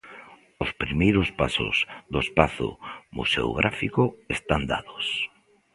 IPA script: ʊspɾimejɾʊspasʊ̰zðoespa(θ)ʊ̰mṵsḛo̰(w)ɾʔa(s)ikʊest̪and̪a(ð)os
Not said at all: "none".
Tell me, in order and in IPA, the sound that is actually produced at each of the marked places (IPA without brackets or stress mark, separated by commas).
θ, ɣ, f, ð